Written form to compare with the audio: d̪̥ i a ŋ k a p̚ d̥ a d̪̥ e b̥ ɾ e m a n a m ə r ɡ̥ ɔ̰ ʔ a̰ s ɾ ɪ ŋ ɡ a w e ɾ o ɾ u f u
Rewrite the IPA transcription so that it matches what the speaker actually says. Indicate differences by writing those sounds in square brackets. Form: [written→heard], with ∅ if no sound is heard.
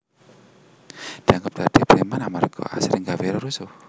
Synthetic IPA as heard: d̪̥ i a ŋ [k→ɡ] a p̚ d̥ a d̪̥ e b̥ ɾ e m a n a m [ə→a] r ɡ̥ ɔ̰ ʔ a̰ s ɾ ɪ ŋ ɡ a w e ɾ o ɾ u [f→s] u